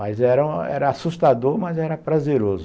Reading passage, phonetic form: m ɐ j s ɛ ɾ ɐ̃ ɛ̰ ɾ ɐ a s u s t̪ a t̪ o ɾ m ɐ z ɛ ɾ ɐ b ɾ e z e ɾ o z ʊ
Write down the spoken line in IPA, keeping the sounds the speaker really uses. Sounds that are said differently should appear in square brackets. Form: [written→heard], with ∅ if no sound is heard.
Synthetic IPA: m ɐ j [s→z] ɛ ɾ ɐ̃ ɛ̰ ɾ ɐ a s u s t̪ a [t̪→d̪] o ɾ m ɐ z ɛ ɾ ɐ [b→p] ɾ [e→a] z e ɾ o z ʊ